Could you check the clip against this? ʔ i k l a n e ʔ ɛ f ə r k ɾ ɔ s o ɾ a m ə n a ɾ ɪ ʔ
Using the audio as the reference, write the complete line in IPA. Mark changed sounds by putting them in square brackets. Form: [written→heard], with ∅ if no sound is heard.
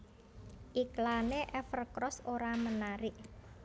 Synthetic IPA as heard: ʔ i k l a n e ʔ ɛ f ə r k ɾ ɔ s o ɾ a m ə n a ɾ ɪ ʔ